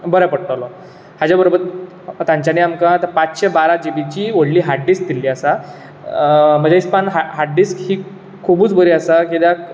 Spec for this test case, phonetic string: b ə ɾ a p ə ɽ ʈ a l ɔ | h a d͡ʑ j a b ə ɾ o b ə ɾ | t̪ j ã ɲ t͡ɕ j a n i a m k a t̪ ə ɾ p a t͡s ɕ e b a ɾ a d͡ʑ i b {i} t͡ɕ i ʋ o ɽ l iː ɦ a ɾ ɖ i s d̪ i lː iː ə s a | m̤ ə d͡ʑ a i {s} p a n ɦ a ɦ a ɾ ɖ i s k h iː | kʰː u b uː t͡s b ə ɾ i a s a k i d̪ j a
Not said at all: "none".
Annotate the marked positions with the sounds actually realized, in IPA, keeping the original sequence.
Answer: i, s

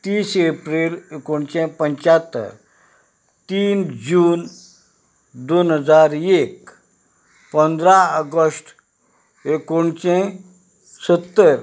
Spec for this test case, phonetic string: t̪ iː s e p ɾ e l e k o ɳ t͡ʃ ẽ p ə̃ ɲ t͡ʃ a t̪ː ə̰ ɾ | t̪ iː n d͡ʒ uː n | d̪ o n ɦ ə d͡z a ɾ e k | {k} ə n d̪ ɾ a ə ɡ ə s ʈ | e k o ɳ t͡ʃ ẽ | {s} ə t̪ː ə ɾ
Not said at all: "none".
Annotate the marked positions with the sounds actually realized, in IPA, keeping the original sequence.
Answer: p, s

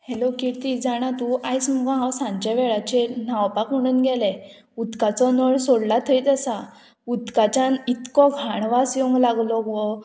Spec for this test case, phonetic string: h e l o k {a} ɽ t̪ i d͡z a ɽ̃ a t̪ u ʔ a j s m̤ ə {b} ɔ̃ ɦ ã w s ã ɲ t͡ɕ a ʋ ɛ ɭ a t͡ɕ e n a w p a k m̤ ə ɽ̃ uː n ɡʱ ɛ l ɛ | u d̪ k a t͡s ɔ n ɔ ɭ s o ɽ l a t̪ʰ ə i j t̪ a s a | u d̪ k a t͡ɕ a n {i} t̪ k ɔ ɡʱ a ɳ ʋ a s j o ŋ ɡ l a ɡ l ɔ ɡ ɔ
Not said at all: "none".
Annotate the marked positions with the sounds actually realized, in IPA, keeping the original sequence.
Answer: i, ɡ, i

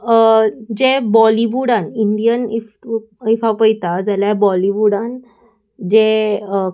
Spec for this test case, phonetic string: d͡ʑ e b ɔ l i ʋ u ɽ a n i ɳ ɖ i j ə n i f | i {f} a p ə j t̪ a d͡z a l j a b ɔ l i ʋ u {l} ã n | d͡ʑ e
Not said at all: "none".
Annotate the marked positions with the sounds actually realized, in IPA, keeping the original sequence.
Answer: f, ɽ

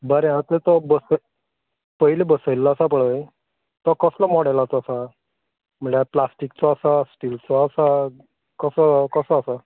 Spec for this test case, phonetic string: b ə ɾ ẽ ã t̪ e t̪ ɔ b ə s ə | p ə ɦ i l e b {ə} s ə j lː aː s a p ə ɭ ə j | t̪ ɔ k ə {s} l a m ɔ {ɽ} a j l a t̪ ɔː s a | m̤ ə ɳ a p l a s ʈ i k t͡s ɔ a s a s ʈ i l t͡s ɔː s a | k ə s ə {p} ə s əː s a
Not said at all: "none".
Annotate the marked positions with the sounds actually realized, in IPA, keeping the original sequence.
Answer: ə, s, ɽ, k

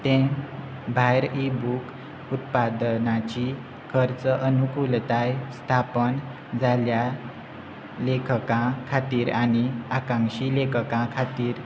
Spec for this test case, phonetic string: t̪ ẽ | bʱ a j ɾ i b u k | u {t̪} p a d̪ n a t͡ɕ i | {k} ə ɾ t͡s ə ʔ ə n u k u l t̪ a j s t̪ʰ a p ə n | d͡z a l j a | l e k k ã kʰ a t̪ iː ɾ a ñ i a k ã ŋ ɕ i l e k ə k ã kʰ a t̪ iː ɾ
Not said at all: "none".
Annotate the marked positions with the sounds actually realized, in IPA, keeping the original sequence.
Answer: t̪, kʰ

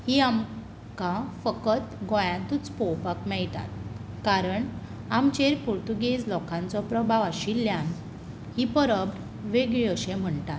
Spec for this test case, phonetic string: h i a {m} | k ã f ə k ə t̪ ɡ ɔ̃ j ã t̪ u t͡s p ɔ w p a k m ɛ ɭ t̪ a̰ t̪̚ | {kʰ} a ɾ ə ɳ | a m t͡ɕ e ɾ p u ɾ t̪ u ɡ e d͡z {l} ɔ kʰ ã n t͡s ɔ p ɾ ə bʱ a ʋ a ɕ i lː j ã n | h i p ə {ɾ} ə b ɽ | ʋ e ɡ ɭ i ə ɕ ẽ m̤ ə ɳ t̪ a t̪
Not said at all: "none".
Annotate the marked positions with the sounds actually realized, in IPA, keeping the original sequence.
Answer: m, k, l, ɾ

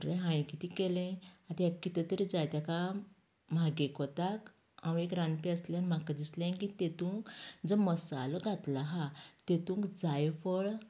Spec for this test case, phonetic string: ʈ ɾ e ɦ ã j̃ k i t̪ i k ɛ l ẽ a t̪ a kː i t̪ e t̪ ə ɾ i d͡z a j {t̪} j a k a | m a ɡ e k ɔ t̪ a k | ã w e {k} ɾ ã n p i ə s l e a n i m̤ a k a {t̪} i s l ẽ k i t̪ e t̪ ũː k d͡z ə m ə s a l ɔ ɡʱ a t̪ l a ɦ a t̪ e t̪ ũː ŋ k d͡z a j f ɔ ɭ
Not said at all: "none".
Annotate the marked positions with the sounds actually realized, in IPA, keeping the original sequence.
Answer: t̪, k, d̪

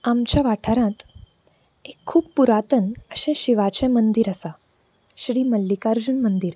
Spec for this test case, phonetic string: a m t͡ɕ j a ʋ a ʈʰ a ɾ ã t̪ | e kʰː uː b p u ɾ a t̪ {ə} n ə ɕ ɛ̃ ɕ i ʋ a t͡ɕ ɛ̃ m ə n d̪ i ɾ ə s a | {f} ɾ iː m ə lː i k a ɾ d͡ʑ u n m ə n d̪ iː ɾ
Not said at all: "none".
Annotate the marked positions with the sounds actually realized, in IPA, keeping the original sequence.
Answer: ə, ɕ

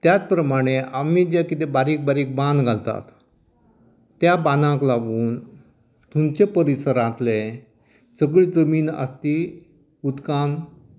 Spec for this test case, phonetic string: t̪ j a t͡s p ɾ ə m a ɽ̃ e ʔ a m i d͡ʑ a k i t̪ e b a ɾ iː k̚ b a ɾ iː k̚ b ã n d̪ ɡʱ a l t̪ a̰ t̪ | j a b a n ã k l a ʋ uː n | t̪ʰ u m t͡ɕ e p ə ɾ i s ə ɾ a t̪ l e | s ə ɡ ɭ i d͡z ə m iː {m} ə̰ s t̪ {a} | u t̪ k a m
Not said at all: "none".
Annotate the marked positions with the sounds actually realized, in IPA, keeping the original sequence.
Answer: n, i

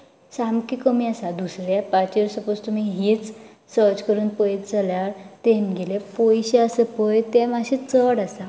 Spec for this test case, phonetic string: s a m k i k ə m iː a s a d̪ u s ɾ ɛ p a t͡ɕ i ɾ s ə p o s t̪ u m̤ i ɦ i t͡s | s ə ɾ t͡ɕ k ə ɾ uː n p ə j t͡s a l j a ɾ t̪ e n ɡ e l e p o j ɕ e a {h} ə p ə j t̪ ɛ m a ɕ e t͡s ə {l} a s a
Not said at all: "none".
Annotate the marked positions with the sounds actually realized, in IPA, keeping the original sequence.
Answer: s, ɽ

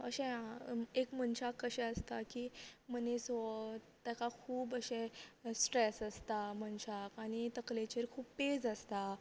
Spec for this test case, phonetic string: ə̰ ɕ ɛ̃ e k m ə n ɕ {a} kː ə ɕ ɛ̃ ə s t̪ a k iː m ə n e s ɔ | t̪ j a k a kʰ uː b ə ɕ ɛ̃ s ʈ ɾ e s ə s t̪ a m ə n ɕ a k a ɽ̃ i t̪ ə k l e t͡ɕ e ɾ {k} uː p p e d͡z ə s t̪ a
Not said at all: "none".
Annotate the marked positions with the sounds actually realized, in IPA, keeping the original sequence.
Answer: a, kʰ

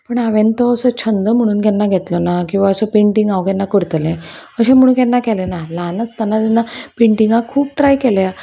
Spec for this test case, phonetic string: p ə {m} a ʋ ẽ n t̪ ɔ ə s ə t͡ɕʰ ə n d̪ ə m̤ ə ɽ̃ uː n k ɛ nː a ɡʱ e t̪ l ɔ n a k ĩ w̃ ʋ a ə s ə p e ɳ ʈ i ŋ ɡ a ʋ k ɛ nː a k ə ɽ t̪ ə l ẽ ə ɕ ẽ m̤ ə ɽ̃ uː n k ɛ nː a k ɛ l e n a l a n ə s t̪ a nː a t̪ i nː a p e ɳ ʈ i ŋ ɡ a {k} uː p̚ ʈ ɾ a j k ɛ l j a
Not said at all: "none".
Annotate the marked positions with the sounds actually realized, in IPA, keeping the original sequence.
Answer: ɳ, kʰ

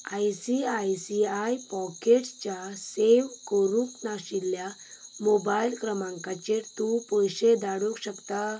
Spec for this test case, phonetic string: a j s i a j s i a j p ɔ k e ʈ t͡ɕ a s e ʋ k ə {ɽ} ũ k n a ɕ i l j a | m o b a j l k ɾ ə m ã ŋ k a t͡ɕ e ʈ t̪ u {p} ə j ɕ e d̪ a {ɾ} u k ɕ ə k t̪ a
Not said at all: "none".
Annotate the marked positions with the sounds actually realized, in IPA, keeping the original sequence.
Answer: ɾ, p, ɽ

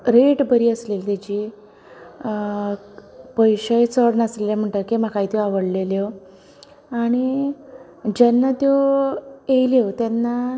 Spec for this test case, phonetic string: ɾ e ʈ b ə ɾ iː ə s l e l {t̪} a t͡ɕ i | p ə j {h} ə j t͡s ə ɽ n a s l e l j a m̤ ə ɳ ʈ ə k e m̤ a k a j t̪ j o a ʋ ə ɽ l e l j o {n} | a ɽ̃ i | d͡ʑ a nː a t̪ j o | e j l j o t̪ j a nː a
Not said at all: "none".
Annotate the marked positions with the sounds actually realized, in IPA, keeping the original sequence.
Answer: t̪, ɕ, none

